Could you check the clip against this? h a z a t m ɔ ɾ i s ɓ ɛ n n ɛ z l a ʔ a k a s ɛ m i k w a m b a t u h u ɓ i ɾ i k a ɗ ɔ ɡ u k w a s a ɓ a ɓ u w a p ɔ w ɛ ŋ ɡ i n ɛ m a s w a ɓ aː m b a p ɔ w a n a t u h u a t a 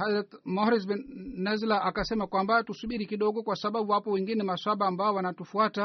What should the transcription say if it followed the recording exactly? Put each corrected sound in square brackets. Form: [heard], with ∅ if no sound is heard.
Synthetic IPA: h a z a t m ɔ ɾ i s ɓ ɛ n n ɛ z l a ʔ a k a s ɛ m [a] k w a m b a t u [s] u ɓ i ɾ i k [i] ɗ ɔ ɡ [ɔ] k w a s a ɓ a ɓ u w a p ɔ w ɛ ŋ ɡ i n ɛ m a s w a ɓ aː m b a [∅] ɔ w a n a t u [f] u a t a